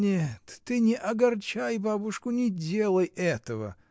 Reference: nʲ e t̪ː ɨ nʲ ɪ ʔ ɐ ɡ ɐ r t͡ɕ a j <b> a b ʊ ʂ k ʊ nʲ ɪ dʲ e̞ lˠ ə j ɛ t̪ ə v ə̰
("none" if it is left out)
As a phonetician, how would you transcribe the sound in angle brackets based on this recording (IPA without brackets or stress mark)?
b